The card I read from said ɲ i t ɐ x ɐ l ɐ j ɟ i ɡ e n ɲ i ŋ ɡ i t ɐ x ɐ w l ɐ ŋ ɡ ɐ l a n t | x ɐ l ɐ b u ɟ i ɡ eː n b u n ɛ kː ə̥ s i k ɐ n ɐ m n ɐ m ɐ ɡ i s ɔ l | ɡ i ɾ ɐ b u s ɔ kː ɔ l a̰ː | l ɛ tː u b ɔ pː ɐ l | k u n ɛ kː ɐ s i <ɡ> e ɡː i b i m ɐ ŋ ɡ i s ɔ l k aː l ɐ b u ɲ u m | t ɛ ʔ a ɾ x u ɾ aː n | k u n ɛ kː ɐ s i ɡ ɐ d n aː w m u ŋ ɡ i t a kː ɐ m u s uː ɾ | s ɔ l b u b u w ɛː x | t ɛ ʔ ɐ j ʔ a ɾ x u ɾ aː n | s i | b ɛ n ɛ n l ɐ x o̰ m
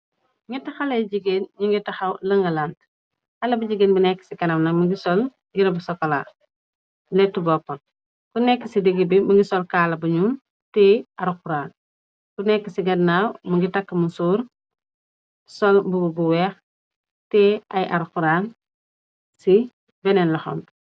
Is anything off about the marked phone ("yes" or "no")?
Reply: yes